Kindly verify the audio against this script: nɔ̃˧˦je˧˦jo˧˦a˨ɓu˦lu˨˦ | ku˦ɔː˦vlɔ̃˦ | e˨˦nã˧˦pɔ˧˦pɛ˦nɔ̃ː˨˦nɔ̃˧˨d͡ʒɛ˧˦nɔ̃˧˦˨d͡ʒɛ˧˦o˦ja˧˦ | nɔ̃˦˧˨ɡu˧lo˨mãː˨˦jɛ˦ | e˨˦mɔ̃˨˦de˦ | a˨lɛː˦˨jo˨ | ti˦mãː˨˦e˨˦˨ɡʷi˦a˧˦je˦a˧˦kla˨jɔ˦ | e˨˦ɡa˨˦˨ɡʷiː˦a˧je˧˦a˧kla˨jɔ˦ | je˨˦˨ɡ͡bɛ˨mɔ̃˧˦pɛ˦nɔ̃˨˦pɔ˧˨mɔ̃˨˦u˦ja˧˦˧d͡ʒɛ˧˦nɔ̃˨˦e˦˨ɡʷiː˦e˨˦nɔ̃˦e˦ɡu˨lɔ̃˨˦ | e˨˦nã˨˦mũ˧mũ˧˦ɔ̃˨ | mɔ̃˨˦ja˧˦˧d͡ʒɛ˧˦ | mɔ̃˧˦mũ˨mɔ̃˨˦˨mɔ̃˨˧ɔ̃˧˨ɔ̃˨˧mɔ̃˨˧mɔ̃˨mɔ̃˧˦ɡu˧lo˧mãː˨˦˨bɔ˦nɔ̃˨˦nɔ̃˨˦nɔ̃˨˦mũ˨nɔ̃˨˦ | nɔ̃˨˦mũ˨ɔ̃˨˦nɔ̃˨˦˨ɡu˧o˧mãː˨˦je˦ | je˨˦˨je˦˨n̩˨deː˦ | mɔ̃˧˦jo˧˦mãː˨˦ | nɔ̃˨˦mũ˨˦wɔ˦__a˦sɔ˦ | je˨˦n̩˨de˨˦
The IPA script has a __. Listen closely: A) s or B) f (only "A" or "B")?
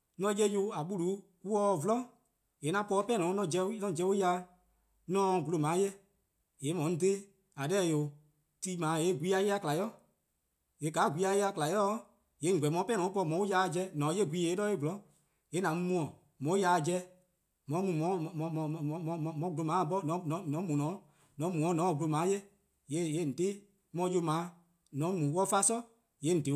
B